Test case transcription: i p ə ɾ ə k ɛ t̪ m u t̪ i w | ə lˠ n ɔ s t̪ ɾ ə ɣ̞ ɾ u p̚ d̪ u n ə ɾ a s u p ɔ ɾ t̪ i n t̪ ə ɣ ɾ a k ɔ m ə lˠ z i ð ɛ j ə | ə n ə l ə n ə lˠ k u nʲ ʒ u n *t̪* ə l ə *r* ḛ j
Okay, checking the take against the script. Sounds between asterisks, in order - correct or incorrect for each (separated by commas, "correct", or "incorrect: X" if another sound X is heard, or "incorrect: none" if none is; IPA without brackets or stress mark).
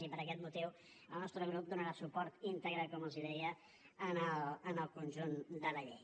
incorrect: d̪, incorrect: ʎ